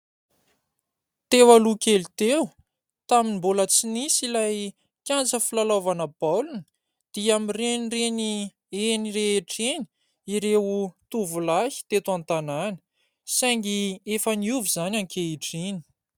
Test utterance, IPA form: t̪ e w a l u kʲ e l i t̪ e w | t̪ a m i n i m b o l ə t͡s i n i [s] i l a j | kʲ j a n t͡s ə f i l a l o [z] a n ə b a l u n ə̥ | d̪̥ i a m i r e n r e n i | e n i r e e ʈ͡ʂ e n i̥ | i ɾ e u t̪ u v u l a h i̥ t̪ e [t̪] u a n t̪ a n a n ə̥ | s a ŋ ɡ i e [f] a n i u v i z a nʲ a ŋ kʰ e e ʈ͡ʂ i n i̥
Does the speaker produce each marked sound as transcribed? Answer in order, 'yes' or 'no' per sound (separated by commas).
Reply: yes, no, yes, yes